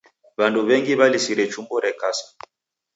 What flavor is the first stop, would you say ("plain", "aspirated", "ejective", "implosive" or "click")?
plain